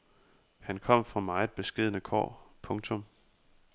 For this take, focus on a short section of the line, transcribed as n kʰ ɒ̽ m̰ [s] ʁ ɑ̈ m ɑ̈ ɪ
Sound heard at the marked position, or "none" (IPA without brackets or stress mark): f